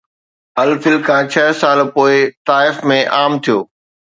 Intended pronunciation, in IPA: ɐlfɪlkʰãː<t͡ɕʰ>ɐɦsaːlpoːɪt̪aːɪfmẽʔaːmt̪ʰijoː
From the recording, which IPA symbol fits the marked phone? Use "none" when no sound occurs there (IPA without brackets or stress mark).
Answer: t͡ɕʰ